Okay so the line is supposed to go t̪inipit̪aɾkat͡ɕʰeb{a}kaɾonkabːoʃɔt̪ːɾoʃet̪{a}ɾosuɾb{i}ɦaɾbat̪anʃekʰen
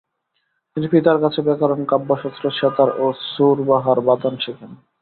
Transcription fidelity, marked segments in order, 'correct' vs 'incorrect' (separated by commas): incorrect, correct, incorrect